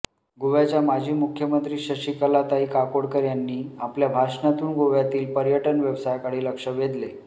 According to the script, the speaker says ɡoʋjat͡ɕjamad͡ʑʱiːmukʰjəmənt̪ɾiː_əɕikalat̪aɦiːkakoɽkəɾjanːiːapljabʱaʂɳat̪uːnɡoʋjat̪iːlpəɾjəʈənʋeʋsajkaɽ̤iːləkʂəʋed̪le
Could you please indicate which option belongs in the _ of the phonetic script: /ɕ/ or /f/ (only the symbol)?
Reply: ɕ